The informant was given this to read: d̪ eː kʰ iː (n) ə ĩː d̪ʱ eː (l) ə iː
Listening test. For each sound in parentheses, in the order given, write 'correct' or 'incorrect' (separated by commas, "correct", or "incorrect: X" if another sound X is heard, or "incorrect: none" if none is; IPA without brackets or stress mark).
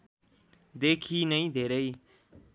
correct, incorrect: ɾ